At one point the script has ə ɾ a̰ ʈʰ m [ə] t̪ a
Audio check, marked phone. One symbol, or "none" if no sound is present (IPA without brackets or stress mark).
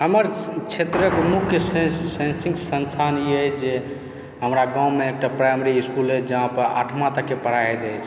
a